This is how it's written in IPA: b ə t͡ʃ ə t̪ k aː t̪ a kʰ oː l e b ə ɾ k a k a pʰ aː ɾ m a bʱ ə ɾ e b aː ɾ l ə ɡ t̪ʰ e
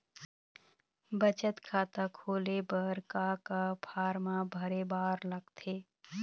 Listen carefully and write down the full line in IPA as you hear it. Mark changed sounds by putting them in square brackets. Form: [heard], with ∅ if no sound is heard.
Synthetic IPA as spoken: b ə t͡ʃ ə t̪ [kʰ] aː t̪ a kʰ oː l e b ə ɾ k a k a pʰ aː ɾ m a bʱ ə ɾ e b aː ɾ l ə ɡ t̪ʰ e